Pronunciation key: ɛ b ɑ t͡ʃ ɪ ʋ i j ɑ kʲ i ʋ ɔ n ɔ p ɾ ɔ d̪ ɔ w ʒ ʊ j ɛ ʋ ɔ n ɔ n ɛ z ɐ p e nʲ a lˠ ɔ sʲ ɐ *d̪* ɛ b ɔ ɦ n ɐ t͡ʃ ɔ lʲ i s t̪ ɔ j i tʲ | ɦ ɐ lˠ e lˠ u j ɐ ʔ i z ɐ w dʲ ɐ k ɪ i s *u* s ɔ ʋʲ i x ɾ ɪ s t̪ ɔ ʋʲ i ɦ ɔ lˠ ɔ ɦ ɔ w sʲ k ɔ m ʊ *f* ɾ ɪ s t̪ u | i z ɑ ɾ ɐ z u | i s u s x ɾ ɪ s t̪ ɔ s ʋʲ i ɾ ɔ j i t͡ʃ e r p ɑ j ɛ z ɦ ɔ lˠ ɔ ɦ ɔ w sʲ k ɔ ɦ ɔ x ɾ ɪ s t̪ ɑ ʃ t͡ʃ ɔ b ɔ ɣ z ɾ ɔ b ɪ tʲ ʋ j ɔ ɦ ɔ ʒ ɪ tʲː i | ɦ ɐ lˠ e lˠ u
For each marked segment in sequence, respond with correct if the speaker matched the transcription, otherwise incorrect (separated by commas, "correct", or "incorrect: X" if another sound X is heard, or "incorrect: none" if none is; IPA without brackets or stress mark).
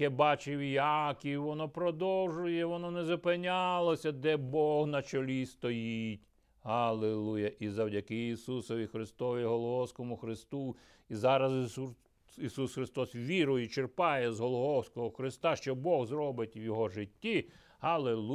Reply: correct, correct, incorrect: x